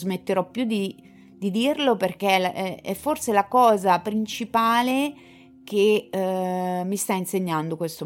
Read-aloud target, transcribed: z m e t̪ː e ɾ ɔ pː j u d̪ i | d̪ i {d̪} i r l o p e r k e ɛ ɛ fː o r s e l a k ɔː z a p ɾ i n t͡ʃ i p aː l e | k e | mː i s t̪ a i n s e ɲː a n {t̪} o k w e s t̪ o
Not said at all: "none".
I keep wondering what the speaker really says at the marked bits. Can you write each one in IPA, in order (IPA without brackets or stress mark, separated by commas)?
d̪, d̪